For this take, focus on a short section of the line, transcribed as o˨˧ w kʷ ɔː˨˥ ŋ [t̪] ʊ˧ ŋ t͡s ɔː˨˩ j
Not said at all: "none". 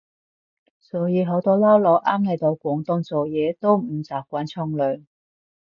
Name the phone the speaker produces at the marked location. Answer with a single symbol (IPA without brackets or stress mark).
t̪